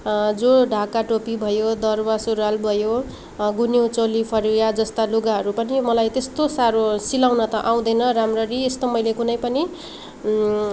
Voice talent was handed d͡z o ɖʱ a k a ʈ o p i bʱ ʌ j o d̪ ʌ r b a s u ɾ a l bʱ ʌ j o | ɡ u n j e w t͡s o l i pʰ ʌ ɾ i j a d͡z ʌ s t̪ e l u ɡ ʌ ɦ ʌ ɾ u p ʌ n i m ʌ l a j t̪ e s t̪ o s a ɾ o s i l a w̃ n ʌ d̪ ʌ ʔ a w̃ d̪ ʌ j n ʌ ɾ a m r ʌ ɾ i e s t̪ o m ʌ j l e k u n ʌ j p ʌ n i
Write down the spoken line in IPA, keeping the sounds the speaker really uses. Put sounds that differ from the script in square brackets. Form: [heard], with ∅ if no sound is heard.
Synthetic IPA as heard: d͡z o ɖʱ a k a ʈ o p i bʱ ʌ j o d̪ ʌ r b a s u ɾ a l bʱ ʌ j o | ɡ u n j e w t͡s o l i pʰ ʌ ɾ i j a d͡z ʌ s t̪ [a] l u ɡ [a] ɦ ʌ ɾ u p ʌ n i m ʌ l a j t̪ e s t̪ o s a ɾ o s i l a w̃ n ʌ [t̪] ʌ ʔ a w̃ d̪ ʌ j n ʌ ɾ a m r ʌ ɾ i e s t̪ o m ʌ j l e k u n ʌ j p ʌ n i